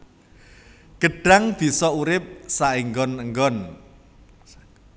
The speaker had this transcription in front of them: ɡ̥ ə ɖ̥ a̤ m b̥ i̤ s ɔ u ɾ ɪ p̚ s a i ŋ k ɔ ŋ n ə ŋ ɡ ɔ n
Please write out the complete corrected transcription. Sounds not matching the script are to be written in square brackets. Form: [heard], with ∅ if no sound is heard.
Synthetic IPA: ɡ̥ ə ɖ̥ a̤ [ŋ] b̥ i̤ s ɔ u ɾ ɪ p̚ s a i ŋ [ɡ] ɔ [∅] n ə ŋ ɡ ɔ n

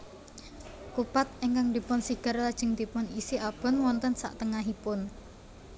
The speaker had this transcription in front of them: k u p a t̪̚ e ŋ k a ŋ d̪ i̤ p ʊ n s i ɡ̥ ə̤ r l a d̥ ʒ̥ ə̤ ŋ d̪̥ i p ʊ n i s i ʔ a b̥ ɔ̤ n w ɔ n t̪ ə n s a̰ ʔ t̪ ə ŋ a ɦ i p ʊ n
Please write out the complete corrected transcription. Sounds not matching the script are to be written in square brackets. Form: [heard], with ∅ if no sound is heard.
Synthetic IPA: k u p a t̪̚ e ŋ k a ŋ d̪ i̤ p ʊ n s i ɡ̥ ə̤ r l a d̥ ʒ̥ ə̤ ŋ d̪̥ i p ʊ n i s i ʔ a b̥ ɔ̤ n w ɔ n t̪ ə n s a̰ ʔ t̪ ə ŋ a ɦ i p ʊ n

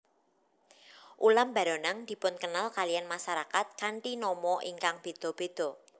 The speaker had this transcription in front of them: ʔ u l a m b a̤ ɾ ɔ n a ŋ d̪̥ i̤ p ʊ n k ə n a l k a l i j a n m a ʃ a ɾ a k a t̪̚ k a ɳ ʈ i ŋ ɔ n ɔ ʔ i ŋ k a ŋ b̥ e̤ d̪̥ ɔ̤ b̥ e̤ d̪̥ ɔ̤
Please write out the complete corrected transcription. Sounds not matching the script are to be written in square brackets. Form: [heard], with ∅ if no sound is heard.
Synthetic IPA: ʔ u l a m b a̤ ɾ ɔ n a ŋ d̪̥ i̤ p ʊ n k ə n a l k a l i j a n m a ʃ a ɾ a k a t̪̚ k a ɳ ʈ i [n] ɔ [m] ɔ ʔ i ŋ k a ŋ b̥ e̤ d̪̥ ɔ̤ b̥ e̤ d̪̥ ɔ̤

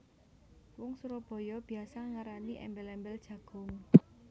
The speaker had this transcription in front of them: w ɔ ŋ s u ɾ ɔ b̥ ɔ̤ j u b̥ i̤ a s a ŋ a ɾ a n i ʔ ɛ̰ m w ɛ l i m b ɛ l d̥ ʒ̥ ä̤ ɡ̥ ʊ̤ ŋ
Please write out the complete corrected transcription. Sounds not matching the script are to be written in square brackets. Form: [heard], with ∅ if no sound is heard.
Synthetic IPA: w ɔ ŋ s u ɾ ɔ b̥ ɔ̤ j [ɔ] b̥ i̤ a s a ŋ a ɾ a n i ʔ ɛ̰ m [b] ɛ l [ɛ] m b ɛ l d̥ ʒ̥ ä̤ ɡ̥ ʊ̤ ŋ

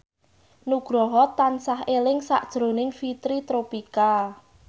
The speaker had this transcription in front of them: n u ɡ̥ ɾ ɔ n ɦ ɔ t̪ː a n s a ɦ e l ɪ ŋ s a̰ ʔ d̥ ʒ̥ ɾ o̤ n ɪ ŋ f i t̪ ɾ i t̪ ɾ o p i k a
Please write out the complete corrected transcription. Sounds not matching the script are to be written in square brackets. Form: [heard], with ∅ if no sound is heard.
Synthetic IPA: n u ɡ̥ ɾ ɔ [∅] ɦ ɔ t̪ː a n s a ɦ e l ɪ ŋ s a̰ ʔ d̥ ʒ̥ ɾ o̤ n ɪ ŋ f i t̪ ɾ i t̪ ɾ o p i k a

